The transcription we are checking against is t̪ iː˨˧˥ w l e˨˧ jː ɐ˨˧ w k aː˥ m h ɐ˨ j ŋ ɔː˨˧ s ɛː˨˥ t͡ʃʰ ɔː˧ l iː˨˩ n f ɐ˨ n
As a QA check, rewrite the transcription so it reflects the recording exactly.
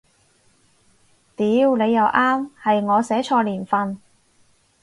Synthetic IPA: t̪ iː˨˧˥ w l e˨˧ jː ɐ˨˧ w ʔ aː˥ m h ɐ˨ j ŋ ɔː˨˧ s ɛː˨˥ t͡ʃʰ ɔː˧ l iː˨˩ n f ɐ˨ n